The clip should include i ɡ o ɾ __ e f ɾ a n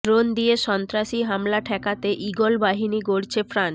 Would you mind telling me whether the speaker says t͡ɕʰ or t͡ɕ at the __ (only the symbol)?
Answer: t͡ɕʰ